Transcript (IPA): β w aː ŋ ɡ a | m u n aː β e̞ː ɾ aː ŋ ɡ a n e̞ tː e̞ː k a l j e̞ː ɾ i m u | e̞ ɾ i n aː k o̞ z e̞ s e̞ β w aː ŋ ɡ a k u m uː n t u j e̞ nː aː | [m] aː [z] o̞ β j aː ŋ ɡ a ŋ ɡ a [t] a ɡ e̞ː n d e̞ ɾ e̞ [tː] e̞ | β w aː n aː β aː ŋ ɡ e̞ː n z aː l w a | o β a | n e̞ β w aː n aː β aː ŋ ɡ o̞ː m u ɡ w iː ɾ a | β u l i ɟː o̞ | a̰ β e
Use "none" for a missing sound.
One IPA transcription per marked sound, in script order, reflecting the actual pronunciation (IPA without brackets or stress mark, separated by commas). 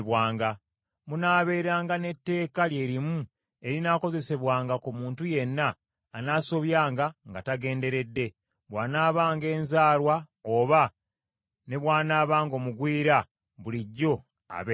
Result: n, s, t, dː